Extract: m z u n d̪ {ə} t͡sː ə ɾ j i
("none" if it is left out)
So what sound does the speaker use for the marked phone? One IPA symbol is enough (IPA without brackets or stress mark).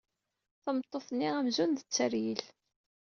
ə